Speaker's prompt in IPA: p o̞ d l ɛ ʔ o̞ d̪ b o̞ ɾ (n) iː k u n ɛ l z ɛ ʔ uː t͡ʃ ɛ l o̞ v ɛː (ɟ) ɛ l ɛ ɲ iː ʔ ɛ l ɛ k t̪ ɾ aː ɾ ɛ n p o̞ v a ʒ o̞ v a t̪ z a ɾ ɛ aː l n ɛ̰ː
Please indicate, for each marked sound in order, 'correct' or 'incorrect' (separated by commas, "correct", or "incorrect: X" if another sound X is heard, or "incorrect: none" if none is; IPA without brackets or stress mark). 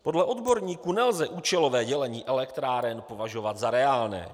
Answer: incorrect: ɲ, correct